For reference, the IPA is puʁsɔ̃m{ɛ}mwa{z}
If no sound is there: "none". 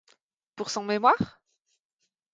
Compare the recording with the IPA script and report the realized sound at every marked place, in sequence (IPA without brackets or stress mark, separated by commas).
e, ʁ